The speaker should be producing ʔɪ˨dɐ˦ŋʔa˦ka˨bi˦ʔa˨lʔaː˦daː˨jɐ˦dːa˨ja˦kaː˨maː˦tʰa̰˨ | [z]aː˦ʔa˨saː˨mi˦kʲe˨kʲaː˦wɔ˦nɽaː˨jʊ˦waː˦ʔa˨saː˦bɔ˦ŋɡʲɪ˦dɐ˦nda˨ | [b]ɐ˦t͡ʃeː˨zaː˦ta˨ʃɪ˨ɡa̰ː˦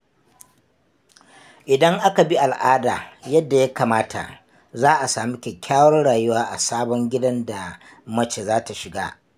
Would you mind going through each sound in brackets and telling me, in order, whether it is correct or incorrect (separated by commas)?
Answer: correct, incorrect